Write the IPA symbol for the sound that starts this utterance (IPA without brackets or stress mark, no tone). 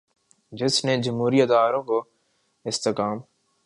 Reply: d͡ʒ